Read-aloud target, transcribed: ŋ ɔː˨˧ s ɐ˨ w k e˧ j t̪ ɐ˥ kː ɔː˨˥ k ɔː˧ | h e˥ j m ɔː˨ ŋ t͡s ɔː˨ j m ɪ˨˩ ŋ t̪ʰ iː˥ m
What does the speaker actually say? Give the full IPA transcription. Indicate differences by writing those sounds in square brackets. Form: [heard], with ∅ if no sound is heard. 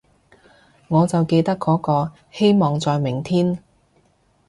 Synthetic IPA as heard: ŋ ɔː˨˧ [t͡s] ɐ˨ w k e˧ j t̪ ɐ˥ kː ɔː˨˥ k ɔː˧ | h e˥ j m ɔː˨ ŋ t͡s ɔː˨ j m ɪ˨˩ ŋ t̪ʰ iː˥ [n]